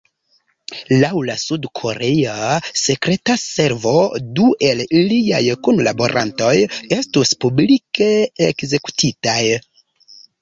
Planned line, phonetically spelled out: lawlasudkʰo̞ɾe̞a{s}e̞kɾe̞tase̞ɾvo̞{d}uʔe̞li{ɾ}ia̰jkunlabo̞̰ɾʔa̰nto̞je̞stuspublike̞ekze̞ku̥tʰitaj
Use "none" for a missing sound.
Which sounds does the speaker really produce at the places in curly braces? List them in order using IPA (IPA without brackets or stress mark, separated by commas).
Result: s, d, l